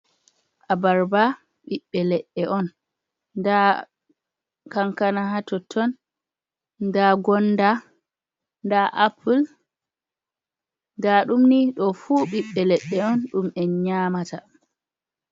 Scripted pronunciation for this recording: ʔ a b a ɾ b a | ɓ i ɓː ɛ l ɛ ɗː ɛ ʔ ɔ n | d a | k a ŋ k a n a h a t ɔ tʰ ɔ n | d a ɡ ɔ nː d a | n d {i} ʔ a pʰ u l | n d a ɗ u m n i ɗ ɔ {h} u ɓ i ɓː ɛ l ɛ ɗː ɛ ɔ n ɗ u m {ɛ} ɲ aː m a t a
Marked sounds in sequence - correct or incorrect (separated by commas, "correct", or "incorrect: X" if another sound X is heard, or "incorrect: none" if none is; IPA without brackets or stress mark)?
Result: incorrect: a, incorrect: f, correct